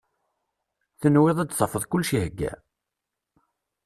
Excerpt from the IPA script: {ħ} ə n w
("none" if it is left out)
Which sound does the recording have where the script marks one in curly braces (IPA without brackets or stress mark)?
θ